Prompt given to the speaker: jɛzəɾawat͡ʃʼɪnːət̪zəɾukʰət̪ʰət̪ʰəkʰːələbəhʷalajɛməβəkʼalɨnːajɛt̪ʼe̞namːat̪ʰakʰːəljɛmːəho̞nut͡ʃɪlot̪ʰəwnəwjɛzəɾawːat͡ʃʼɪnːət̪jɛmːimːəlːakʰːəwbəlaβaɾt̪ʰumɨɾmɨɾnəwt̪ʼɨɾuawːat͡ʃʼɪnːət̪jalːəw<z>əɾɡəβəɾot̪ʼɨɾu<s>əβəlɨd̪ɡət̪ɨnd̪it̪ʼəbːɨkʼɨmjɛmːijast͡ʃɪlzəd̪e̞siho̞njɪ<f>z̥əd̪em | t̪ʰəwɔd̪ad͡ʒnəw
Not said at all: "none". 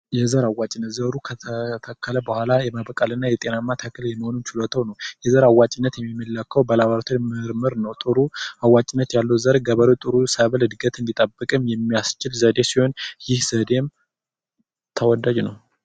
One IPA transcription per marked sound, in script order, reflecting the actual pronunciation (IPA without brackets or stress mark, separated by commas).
z, s, h